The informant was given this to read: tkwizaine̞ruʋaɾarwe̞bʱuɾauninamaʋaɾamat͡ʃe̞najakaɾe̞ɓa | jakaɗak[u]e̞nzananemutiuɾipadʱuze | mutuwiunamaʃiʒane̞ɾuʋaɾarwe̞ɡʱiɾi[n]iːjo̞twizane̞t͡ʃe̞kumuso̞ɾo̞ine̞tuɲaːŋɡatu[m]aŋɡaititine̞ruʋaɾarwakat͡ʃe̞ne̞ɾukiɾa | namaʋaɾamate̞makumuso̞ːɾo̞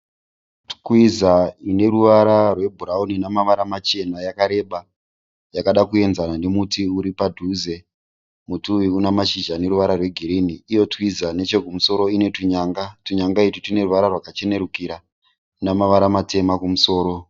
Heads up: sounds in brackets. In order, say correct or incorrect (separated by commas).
correct, correct, incorrect